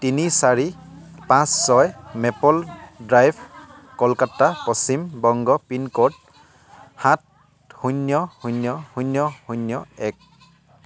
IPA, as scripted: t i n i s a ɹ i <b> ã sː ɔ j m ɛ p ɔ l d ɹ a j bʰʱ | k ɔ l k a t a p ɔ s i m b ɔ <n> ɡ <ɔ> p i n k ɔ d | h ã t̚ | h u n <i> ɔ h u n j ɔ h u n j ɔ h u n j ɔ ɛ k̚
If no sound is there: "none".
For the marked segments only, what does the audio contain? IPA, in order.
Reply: p, ŋ, ɔ, j

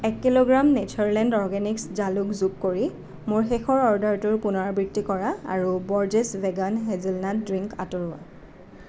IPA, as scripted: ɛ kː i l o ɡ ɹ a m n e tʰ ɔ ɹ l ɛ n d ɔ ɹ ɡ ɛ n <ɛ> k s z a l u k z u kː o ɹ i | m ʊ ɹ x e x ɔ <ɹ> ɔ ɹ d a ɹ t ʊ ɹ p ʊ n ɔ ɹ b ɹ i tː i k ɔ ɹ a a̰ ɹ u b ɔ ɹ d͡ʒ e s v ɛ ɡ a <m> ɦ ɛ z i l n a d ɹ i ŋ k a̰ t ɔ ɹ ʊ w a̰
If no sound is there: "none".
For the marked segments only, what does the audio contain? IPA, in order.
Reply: i, ɹ, n

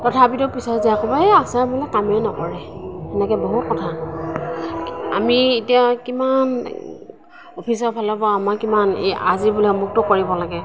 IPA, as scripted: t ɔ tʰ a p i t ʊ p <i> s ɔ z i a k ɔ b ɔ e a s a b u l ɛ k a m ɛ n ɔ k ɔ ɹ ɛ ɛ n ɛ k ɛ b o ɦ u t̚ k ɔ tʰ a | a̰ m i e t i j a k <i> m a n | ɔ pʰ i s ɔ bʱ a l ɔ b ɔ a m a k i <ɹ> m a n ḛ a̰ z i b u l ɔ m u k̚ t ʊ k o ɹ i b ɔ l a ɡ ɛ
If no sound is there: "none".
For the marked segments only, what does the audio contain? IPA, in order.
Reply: i, i, none

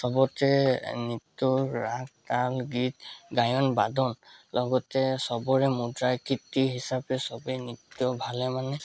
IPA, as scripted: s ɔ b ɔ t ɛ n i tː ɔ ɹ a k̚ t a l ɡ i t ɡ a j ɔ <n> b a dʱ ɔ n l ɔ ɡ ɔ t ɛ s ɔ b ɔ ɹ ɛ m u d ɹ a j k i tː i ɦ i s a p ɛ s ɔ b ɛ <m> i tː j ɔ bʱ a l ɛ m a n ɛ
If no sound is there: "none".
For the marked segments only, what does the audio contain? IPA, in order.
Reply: n, n

